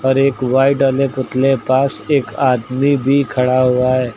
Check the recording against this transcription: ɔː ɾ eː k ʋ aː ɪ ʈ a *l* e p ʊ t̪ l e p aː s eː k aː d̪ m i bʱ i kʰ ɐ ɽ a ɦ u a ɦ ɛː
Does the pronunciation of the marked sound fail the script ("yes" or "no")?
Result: no